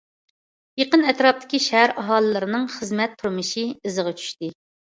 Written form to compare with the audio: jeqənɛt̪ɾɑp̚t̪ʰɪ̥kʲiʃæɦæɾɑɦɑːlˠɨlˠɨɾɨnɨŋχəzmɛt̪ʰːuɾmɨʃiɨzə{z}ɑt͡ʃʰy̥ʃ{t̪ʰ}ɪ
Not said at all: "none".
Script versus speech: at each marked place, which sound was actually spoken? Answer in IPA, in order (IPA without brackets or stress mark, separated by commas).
ʁ, t̪